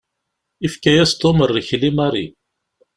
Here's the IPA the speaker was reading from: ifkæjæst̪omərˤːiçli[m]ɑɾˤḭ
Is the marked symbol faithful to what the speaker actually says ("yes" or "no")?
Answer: yes